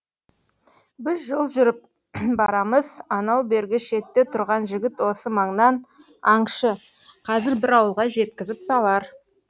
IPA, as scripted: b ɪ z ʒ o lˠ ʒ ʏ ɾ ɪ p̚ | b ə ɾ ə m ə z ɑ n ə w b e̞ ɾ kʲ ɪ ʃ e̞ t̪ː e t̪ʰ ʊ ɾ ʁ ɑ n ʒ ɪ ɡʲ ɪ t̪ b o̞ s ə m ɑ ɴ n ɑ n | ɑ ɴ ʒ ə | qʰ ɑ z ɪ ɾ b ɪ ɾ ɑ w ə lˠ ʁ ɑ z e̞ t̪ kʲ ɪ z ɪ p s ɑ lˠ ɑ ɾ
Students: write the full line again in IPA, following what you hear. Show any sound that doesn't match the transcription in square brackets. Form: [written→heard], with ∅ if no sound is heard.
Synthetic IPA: b ɪ z ʒ o lˠ ʒ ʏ ɾ ɪ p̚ | b [ə→ɑ] ɾ [ə→ɑ] m ə z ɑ n [ə→ɑ] w b e̞ ɾ [kʲ→ɡʲ] ɪ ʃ e̞ t̪ː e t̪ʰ ʊ ɾ ʁ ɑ n ʒ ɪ ɡʲ ɪ t̪ [b→w] o̞ s ə m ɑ ɴ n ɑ n | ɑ ɴ [ʒ→ʃ] ə | qʰ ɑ z ɪ ɾ b ɪ ɾ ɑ w ə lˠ ʁ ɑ [z→ʒ] e̞ t̪ kʲ ɪ z ɪ p s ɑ lˠ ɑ ɾ

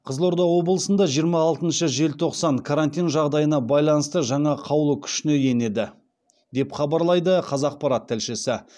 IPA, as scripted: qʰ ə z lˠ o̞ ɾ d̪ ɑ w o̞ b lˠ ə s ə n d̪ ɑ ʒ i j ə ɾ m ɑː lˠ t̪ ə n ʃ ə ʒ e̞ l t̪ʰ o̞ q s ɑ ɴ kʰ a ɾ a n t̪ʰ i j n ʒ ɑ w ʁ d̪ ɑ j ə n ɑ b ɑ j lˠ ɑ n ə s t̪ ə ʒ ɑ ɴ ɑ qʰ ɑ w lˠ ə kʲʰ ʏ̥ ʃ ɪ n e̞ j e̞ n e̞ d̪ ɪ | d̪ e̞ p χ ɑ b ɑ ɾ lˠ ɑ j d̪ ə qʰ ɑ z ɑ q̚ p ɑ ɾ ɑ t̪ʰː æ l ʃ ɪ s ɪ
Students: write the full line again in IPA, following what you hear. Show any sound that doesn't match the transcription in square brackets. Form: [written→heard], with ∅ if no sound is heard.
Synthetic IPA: qʰ ə z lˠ o̞ ɾ d̪ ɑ w o̞ b lˠ ə s ə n d̪ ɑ ʒ i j ə ɾ m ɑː lˠ t̪ ə n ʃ ə ʒ e̞ l t̪ʰ o̞ q s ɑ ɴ kʰ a ɾ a n [t̪ʰ→t̪] i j n ʒ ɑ [w→∅] ʁ d̪ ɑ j ə n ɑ b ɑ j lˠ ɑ n ə s t̪ ə ʒ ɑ ɴ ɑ qʰ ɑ w lˠ ə kʲʰ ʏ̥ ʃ ɪ n e̞ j e̞ n e̞ d̪ ɪ | d̪ e̞ p χ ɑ b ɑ ɾ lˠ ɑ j d̪ ə qʰ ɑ z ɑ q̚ p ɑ ɾ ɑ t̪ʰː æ l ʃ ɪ s ɪ

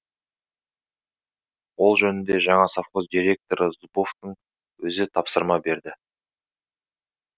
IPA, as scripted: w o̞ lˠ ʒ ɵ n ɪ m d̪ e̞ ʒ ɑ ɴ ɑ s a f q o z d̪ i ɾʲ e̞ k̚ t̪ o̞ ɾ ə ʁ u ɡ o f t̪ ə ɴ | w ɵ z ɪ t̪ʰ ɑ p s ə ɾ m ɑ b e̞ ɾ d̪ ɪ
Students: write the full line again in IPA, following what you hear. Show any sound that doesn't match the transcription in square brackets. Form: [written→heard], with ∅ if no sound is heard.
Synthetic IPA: w o̞ lˠ ʒ ɵ n ɪ [m→n] d̪ e̞ ʒ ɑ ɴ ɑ s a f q o z d̪ i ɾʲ e̞ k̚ t̪ o̞ ɾ ə [ʁ→z] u [ɡ→b] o f t̪ ə ɴ | w ɵ z ɪ t̪ʰ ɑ p s ə ɾ m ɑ b e̞ ɾ d̪ ɪ

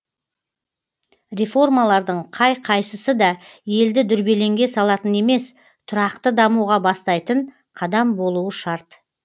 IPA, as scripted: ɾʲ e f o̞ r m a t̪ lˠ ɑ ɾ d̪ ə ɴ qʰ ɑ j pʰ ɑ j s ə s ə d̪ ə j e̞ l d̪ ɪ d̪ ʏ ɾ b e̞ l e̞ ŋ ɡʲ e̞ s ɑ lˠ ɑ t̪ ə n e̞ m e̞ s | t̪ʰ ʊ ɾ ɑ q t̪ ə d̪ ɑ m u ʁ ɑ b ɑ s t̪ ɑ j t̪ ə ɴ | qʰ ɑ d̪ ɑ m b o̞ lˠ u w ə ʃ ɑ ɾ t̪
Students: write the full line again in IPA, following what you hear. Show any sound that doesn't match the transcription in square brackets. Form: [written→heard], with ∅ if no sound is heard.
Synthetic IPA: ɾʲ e f o̞ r m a [t̪→∅] lˠ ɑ ɾ d̪ ə ɴ qʰ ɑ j [pʰ→qʰ] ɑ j s ə s ə d̪ [ə→ɑ] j e̞ l d̪ ɪ d̪ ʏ ɾ b e̞ l e̞ ŋ ɡʲ e̞ s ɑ lˠ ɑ t̪ ə n e̞ m e̞ s | t̪ʰ ʊ ɾ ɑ q t̪ ə d̪ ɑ m u ʁ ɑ b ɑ s t̪ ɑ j t̪ ə ɴ | qʰ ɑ d̪ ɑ m b o̞ lˠ u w ə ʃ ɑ ɾ t̪

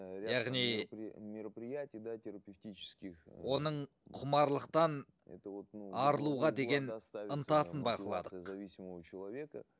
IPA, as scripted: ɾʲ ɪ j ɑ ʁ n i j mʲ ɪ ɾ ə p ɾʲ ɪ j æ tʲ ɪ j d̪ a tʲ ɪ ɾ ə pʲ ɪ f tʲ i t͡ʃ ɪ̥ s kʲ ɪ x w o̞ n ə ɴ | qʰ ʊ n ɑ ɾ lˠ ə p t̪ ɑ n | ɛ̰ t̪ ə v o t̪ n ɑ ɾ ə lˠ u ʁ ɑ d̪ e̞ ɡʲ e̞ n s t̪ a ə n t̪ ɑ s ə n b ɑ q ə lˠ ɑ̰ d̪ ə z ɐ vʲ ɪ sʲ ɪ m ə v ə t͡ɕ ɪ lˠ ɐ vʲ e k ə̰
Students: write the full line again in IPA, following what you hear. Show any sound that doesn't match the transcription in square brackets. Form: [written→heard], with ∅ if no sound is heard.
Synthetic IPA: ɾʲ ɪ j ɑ ʁ n i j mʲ ɪ ɾ ə p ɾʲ ɪ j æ tʲ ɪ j d̪ a tʲ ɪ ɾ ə pʲ ɪ f tʲ i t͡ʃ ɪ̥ s kʲ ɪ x w o̞ n ə ɴ | qʰ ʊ [n→m] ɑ ɾ lˠ ə [p→q] t̪ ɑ n | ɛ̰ t̪ ə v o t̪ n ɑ ɾ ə lˠ u ʁ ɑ d̪ e̞ ɡʲ e̞ n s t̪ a ə n t̪ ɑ s ə n b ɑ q ə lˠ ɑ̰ d̪ ə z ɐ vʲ [ɪ→i] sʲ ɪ m ə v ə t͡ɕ ɪ lˠ ɐ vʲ e k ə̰

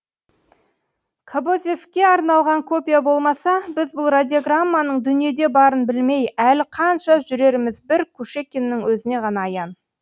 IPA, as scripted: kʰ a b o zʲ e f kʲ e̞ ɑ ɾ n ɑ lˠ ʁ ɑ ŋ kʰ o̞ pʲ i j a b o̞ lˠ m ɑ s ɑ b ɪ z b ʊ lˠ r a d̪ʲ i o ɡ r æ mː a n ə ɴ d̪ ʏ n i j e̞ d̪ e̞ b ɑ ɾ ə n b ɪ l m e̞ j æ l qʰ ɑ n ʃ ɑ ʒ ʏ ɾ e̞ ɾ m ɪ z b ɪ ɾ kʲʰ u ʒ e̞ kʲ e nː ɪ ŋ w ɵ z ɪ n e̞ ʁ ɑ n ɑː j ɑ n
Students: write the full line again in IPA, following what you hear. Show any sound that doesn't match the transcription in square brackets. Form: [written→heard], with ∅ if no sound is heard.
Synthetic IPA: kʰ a b o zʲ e f kʲ e̞ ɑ ɾ n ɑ lˠ ʁ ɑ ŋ kʰ o̞ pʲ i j a b o̞ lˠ m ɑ s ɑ b ɪ z b ʊ lˠ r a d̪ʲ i o ɡ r [æ→a] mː a n ə ɴ d̪ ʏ n i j e̞ d̪ e̞ b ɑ ɾ ə n b ɪ l m e̞ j æ l qʰ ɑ n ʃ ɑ ʒ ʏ ɾ e̞ ɾ m ɪ z b ɪ ɾ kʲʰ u [ʒ→ʃ] e̞ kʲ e nː ɪ ŋ w ɵ z ɪ n e̞ ʁ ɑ n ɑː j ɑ n

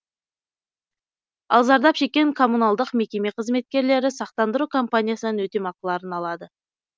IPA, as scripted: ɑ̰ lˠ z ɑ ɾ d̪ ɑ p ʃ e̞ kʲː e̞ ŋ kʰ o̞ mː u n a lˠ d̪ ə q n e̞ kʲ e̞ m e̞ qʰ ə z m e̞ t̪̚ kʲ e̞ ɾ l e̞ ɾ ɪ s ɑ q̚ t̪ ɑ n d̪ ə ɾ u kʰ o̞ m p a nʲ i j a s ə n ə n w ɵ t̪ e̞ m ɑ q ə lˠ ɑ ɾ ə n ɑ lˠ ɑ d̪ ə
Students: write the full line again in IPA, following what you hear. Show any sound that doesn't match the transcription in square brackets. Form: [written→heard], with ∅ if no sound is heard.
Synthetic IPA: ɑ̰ lˠ z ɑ ɾ d̪ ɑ p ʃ e̞ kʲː e̞ ŋ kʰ o̞ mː u n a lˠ d̪ ə q [n→m] e̞ kʲ e̞ m e̞ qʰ ə z m e̞ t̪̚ kʲ e̞ ɾ l e̞ ɾ ɪ s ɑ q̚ t̪ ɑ n d̪ ə ɾ u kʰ o̞ m p a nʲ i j a s ə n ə n w ɵ t̪ e̞ m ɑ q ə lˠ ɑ ɾ ə n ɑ lˠ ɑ d̪ ə

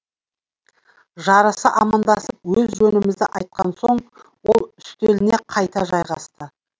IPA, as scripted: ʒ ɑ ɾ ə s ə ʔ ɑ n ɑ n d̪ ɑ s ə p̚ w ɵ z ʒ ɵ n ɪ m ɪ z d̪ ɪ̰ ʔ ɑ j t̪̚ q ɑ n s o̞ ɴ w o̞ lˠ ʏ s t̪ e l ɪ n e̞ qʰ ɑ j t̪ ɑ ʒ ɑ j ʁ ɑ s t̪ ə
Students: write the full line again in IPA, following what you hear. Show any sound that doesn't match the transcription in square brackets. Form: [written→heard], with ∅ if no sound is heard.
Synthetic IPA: ʒ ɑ ɾ ə s ə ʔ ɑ [n→m] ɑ n d̪ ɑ s ə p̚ w ɵ z ʒ ɵ n ɪ m ɪ z d̪ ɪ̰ ʔ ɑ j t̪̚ q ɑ n s o̞ ɴ w o̞ lˠ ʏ s t̪ e l ɪ n e̞ qʰ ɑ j t̪ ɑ ʒ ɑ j ʁ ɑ s t̪ ə

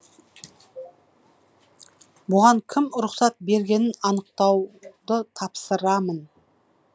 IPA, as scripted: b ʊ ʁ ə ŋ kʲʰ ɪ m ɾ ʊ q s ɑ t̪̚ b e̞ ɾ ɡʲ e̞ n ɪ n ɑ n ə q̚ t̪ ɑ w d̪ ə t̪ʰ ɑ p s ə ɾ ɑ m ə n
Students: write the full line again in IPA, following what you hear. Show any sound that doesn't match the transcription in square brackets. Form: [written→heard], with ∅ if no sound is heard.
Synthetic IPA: b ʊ ʁ [ə→ɑ] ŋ kʲʰ ɪ m ɾ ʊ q s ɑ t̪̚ b e̞ ɾ ɡʲ e̞ n ɪ n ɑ n ə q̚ t̪ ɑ w d̪ ə t̪ʰ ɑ p s ə ɾ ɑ m ə n

